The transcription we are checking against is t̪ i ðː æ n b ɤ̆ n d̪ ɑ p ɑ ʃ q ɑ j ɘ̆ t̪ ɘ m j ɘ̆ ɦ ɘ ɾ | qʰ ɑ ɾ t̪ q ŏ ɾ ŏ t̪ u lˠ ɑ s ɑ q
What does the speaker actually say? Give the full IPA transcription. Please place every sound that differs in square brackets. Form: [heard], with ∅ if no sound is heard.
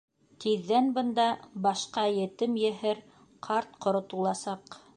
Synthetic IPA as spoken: t̪ i ðː æ n b ɤ̆ n d̪ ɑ [b] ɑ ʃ q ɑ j ɘ̆ t̪ ɘ m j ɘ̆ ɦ ɘ ɾ | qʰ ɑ ɾ t̪ q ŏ ɾ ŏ t̪ u lˠ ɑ s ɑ q